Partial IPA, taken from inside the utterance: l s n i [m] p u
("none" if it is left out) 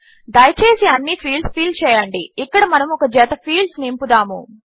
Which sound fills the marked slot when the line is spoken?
m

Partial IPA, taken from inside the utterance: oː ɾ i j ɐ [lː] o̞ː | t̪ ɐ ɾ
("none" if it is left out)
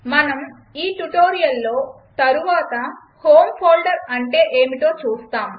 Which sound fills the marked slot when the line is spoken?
lː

